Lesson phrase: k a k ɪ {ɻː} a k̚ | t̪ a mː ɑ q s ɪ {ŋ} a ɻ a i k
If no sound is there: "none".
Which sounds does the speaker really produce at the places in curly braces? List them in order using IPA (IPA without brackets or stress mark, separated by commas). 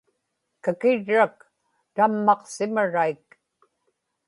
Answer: ɻː, m